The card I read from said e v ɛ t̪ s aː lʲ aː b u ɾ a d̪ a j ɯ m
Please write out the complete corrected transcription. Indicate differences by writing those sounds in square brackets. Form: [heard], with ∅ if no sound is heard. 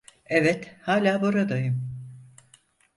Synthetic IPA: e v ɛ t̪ [h] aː lʲ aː b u ɾ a d̪ a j ɯ m

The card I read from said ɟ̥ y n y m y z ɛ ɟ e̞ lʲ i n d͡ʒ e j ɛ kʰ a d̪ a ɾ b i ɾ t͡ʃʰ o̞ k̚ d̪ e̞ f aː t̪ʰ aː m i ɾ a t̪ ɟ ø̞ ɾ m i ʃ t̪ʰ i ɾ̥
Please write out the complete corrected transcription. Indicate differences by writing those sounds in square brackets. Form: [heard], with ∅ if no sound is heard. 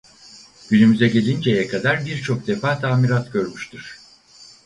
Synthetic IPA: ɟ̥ y n y m y z ɛ ɟ e̞ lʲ i n d͡ʒ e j ɛ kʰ a d̪ a ɾ b i ɾ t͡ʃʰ o̞ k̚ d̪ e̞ f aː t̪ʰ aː m i ɾ a t̪ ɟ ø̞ ɾ m [y] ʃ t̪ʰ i ɾ̥

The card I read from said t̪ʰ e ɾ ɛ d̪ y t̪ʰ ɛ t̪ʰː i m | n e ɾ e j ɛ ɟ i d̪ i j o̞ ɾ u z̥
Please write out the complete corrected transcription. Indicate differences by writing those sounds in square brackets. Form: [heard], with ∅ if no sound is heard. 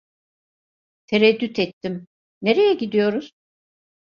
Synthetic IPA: t̪ʰ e ɾ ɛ [d̪ː] y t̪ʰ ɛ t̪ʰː i m | n e ɾ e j ɛ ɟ i d̪ i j o̞ ɾ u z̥

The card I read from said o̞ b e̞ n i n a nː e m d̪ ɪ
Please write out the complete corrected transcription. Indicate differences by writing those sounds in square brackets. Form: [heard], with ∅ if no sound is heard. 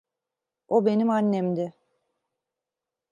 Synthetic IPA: o̞ b e̞ n i [m] a nː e m d̪ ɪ

